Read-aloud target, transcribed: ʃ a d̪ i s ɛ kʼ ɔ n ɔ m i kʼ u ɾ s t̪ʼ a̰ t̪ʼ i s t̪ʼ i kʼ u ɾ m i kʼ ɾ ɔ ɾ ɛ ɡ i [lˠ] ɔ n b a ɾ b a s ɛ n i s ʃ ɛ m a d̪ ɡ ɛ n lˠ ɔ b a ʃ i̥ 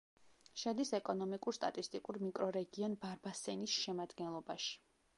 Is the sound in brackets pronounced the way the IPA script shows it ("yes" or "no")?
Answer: no